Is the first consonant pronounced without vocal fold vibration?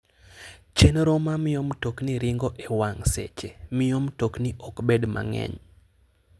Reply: yes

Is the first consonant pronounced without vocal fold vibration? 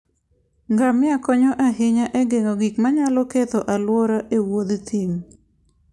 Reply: no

